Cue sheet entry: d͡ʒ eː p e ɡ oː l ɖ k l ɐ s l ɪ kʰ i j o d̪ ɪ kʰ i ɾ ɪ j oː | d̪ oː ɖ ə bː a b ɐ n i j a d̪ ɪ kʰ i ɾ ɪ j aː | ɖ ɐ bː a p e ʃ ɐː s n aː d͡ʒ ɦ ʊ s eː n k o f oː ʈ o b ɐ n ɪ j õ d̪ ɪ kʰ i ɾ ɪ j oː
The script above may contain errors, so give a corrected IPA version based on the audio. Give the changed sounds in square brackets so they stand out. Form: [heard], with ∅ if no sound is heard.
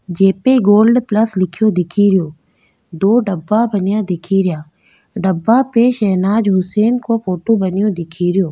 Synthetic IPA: d͡ʒ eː p e ɡ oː l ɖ [p] l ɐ s l ɪ kʰ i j o d̪ ɪ kʰ i ɾ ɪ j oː | d̪ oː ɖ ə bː a b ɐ n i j a d̪ ɪ kʰ i ɾ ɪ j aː | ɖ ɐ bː a p e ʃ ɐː [∅] n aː d͡ʒ ɦ ʊ s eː n k o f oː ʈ o b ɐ n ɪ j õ d̪ ɪ kʰ i ɾ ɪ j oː

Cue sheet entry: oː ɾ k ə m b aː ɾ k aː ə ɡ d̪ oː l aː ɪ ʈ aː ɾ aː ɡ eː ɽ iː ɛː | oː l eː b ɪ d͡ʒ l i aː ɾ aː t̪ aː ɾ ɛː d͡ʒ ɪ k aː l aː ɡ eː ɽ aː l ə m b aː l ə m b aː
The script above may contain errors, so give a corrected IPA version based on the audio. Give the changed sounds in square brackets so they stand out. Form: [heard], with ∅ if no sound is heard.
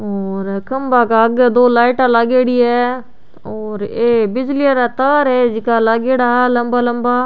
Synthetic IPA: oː ɾ k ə m b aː [∅] k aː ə ɡ d̪ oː l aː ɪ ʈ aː [l] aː ɡ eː ɽ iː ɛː | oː [ɾ] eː b ɪ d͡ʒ l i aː ɾ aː t̪ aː ɾ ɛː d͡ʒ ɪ k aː l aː ɡ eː ɽ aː l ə m b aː l ə m b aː

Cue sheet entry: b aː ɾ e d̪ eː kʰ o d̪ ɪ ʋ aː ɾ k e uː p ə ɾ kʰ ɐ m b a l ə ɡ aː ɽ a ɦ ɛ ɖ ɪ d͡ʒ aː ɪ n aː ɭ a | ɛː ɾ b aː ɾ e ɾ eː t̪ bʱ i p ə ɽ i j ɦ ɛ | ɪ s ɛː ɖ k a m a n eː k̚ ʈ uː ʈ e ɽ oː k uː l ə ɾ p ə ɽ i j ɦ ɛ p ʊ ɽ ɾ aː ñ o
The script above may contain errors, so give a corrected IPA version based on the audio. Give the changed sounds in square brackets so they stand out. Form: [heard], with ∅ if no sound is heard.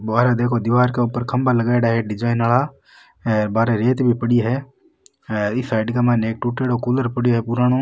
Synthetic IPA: b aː ɾ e d̪ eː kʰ o d̪ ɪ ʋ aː ɾ k e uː p ə ɾ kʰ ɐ m b a l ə ɡ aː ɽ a ɦ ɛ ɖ ɪ d͡ʒ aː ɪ n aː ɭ a | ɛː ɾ b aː ɾ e ɾ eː t̪ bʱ i p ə ɽ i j ɦ ɛ | ɪ s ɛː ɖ k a m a n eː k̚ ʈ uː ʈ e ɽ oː k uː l ə ɾ p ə ɽ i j ɦ ɛ p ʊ [∅] ɾ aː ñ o

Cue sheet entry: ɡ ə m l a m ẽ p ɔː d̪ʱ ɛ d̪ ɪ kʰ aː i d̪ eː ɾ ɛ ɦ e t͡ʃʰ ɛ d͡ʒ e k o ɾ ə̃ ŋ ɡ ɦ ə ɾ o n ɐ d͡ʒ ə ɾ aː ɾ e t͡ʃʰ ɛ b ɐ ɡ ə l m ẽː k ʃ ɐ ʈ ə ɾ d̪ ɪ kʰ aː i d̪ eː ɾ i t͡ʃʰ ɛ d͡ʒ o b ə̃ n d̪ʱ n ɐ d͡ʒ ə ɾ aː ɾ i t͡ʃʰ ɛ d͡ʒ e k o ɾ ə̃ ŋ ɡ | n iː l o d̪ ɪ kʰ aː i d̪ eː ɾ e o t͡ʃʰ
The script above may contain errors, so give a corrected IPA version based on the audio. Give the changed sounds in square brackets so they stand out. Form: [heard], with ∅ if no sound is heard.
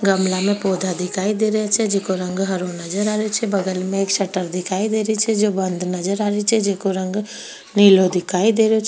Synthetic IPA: ɡ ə m l a m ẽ p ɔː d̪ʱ [a] d̪ ɪ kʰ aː i d̪ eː ɾ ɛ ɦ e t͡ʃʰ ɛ d͡ʒ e k o ɾ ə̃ ŋ ɡ ɦ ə ɾ o n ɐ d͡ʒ ə ɾ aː ɾ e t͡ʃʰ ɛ b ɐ ɡ ə l m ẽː k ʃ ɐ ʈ ə ɾ d̪ ɪ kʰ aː i d̪ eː ɾ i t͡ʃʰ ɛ d͡ʒ o b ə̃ n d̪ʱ n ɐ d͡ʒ ə ɾ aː ɾ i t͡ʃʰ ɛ d͡ʒ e k o ɾ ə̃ ŋ ɡ | n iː l o d̪ ɪ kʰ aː i d̪ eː ɾ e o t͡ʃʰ

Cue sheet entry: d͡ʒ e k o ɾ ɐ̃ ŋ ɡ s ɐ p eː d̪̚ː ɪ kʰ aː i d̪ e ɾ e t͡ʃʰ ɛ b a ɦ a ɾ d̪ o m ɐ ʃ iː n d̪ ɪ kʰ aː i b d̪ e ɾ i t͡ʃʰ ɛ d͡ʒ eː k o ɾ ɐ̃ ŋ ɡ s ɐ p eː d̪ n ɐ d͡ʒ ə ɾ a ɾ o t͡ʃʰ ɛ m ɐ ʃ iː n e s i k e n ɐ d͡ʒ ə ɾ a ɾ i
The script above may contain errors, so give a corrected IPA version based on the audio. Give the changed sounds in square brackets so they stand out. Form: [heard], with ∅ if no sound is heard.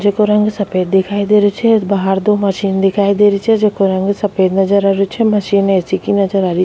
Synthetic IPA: d͡ʒ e k o ɾ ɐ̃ ŋ ɡ s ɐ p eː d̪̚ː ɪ kʰ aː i d̪ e ɾ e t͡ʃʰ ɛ b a ɦ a ɾ d̪ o m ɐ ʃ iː n d̪ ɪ kʰ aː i [∅] d̪ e ɾ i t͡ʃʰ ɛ d͡ʒ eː k o ɾ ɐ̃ ŋ ɡ s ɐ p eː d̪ n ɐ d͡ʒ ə ɾ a ɾ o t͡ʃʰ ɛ m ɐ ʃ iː n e s i k [i] n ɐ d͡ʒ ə ɾ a ɾ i

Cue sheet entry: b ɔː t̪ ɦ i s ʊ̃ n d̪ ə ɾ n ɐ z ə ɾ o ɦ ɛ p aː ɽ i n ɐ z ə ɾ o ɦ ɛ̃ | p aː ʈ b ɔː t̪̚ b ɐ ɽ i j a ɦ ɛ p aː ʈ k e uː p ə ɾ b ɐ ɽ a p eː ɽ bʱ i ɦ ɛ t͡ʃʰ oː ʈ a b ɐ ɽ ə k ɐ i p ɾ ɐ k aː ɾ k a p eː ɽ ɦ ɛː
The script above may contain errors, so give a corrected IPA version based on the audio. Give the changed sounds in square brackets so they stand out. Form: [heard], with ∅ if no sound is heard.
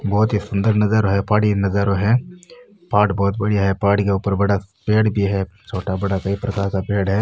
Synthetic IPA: b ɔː t̪ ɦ i s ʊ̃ n d̪ ə ɾ n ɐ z ə ɾ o ɦ ɛ p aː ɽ i n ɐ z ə ɾ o ɦ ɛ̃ | p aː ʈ b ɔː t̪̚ b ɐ ɽ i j a ɦ ɛ p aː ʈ k e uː p ə ɾ b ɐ ɽ a p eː ɽ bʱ i ɦ ɛ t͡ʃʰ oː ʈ a b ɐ ɽ [a] k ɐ i p ɾ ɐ k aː ɾ k a p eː ɽ ɦ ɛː

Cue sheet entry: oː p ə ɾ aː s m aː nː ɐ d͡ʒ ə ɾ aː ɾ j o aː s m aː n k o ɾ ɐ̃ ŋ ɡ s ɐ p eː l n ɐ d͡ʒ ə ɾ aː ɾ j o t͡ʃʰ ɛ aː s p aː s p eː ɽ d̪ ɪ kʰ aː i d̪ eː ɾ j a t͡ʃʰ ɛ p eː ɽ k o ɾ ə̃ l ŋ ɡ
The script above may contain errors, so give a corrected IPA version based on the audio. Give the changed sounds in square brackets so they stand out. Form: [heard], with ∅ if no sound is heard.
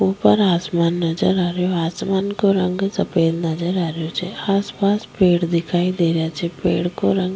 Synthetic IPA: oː p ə ɾ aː s m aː nː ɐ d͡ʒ ə ɾ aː ɾ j o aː s m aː n k o ɾ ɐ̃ ŋ ɡ s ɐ p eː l n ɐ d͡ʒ ə ɾ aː ɾ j o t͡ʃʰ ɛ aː s p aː s p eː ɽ d̪ ɪ kʰ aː i d̪ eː ɾ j a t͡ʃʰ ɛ p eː ɽ k o ɾ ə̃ [∅] ŋ ɡ

